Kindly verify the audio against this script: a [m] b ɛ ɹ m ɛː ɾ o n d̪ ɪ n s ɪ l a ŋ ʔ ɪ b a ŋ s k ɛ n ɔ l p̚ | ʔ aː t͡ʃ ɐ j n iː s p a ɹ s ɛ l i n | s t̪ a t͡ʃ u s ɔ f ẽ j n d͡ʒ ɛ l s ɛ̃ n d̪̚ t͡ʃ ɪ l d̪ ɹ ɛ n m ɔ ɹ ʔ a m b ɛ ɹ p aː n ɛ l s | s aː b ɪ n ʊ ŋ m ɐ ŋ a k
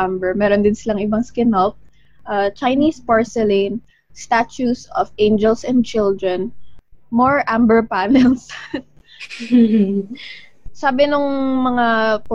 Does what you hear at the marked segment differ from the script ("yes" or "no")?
no